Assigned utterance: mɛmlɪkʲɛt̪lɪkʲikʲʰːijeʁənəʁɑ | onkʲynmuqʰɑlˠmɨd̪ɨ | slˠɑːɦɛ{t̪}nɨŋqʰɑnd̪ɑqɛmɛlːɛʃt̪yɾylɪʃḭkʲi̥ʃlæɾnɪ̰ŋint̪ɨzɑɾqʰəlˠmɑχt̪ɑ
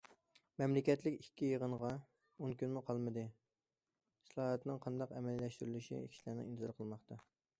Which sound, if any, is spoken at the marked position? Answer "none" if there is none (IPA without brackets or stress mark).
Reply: t̪